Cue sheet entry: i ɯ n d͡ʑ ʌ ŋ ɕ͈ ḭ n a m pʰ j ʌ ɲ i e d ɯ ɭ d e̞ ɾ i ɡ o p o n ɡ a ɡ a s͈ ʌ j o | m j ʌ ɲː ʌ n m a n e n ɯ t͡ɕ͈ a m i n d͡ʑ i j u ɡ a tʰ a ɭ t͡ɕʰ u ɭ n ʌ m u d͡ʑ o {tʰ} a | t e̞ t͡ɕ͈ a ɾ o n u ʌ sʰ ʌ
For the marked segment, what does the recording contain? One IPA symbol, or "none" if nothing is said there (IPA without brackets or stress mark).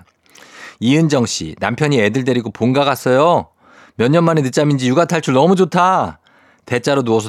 tʰ